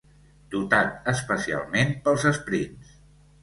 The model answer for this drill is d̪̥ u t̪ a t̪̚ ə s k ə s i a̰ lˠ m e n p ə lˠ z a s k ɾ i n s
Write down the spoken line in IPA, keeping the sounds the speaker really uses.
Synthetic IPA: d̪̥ u t̪ a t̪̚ ə s p ə s i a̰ lˠ m e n p ə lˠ z ə s p ɾ i n s